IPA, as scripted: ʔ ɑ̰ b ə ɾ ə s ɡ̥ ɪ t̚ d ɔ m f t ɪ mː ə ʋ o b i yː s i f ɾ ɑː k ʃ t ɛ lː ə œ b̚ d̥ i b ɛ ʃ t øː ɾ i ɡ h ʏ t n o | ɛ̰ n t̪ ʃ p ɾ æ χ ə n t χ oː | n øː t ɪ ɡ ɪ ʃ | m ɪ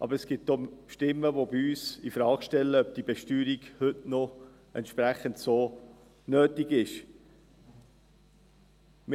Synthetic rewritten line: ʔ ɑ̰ b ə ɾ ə s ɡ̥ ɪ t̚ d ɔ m ʃ t ɪ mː ə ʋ o b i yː s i f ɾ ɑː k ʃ t ɛ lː ə œ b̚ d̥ i b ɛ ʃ t yː ɾ i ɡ h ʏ t n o | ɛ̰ n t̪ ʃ p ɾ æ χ ə n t s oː | n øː t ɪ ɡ ɪ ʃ | m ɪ